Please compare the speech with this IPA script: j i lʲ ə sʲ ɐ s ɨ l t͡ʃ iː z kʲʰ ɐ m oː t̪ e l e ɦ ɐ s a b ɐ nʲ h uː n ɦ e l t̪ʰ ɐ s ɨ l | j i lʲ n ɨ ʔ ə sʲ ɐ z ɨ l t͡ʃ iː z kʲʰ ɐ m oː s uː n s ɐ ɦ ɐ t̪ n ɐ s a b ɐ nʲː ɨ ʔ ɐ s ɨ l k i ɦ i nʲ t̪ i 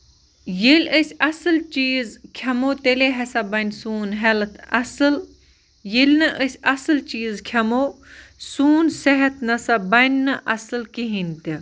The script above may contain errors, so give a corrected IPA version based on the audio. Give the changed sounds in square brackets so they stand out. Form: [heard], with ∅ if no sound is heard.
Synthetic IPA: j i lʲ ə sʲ ɐ s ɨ l t͡ʃ iː z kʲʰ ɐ m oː t̪ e l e ɦ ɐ s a b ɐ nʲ [s] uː n ɦ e l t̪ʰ ɐ s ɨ l | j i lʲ n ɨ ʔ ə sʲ ɐ [s] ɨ l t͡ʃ iː z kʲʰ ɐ m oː s uː n s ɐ ɦ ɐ t̪ n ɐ s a b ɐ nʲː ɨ ʔ ɐ s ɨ l k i ɦ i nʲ t̪ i